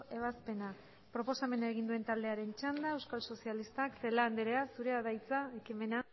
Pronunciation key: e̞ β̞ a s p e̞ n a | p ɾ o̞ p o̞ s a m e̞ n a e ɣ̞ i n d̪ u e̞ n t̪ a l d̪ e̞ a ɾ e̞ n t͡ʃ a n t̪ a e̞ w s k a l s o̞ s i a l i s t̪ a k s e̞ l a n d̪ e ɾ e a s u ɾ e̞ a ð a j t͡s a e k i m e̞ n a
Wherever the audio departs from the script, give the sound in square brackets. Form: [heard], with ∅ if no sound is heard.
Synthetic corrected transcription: e̞ β̞ a s p e̞ n a | p ɾ o̞ p o̞ s a m e̞ n a e ɣ̞ i n d̪ u e̞ n t̪ a l d̪ e̞ a ɾ e̞ n t͡ʃ a n [d̪] a e̞ w s k a l s o̞ s i a l i s t̪ a k s e̞ l a n d̪ e ɾ e a s u ɾ e̞ a ð a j t͡s a e k i m e̞ n a